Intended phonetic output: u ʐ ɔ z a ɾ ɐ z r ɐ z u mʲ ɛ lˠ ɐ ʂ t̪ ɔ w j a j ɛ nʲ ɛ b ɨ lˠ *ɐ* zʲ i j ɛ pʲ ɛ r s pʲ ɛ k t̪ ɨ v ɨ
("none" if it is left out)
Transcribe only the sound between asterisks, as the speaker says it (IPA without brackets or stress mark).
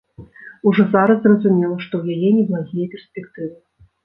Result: a